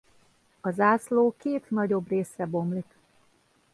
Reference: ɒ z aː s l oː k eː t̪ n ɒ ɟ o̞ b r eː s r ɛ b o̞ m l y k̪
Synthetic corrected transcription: ɒ z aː s l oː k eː t̪ n ɒ ɟ o̞ b r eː s r ɛ b o̞ m l i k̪